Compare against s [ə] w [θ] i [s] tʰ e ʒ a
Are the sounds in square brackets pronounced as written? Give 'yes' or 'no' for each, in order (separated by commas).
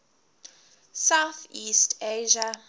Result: no, yes, yes